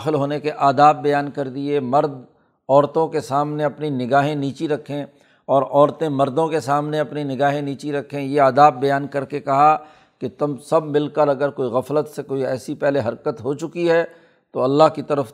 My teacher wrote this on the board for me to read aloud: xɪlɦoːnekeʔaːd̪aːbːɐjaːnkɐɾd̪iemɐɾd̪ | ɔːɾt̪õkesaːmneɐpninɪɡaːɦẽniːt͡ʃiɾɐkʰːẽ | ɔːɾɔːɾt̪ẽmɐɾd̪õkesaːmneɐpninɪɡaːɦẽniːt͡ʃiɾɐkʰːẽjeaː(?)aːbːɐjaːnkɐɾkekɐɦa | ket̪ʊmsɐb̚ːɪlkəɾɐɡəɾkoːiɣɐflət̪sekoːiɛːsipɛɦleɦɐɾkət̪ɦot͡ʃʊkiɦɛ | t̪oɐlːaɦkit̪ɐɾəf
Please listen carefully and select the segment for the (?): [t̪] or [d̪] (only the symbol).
d̪